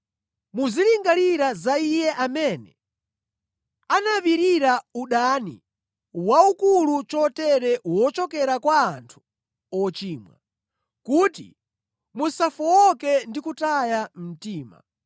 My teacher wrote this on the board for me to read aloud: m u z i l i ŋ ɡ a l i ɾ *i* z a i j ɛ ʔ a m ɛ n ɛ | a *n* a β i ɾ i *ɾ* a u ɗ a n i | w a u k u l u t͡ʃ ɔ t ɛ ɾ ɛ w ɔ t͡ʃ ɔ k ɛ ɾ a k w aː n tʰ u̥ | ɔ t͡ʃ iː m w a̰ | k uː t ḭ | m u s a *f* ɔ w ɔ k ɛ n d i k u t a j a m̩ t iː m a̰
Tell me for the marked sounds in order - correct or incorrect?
incorrect: a, correct, correct, correct

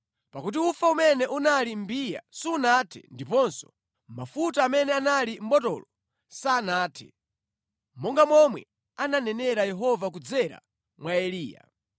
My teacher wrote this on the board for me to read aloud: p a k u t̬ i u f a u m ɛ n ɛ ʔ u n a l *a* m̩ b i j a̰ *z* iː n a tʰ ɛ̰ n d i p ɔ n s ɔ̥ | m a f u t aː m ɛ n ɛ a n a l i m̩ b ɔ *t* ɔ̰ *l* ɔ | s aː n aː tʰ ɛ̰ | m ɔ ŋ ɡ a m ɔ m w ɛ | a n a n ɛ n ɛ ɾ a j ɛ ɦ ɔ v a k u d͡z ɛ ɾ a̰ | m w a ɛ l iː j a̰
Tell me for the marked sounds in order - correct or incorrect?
incorrect: i, incorrect: s, correct, correct

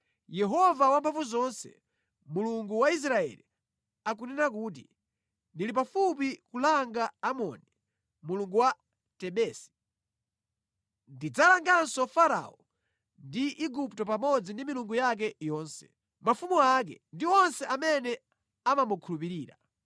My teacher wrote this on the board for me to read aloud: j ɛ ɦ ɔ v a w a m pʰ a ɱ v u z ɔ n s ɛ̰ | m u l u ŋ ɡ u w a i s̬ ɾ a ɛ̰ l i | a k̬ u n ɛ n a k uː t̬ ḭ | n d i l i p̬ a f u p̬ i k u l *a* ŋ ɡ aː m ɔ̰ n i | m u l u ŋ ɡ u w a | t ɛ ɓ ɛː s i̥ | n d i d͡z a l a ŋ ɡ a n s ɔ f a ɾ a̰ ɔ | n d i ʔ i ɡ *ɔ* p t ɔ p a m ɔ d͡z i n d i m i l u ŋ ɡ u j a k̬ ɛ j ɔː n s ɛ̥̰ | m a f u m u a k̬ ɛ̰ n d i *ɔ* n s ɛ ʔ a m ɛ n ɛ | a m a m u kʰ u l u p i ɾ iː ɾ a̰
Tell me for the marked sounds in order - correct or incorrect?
correct, incorrect: u, correct

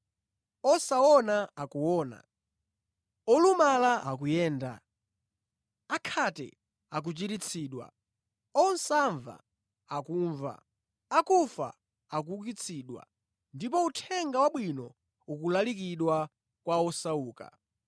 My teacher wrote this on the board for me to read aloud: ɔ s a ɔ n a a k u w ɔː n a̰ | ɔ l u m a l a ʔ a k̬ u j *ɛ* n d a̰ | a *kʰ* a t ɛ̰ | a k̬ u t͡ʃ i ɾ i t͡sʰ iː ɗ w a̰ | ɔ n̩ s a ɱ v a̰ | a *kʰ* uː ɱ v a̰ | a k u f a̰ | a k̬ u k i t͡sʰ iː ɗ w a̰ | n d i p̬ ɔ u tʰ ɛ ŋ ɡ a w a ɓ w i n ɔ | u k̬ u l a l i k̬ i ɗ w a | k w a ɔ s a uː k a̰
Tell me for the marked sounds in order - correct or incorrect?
incorrect: ɛː, correct, incorrect: k

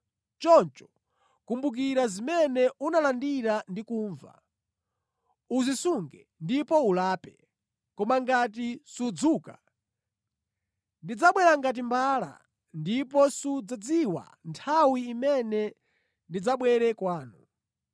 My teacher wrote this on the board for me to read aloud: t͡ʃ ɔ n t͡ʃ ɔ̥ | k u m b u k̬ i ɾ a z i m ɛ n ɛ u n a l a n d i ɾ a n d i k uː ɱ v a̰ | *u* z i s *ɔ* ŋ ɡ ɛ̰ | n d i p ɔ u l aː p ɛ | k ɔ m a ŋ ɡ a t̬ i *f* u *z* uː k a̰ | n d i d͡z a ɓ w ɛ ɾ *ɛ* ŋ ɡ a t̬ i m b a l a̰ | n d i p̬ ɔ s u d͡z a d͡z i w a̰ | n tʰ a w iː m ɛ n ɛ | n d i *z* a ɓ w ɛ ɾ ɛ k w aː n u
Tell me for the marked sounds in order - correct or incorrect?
correct, incorrect: u, incorrect: s, incorrect: d͡z, incorrect: a, incorrect: d͡z

